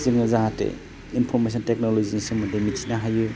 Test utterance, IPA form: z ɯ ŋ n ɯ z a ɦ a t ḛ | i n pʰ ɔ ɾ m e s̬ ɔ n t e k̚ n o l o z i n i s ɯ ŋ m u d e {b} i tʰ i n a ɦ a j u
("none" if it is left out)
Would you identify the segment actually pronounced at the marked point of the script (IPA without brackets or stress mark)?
m